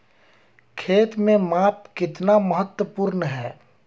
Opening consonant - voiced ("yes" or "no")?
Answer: no